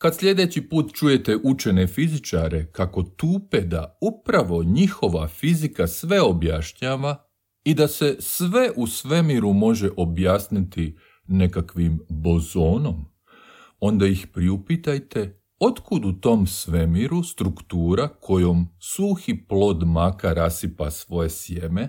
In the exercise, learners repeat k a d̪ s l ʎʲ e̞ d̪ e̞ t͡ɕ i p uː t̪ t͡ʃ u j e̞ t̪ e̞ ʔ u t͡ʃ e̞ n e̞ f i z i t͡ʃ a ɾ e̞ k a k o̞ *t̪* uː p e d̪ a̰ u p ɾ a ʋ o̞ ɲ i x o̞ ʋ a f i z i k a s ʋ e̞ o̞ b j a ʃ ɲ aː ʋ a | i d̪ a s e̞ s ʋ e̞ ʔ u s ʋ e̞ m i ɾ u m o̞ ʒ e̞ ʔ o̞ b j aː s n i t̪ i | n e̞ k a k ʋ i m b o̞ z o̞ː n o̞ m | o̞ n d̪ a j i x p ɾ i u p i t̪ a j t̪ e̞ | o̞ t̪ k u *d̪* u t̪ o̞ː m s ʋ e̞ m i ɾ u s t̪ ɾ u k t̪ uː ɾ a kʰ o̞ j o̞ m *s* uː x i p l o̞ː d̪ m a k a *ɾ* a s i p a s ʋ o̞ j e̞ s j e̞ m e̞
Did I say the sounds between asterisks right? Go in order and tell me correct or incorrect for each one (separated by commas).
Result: correct, correct, correct, correct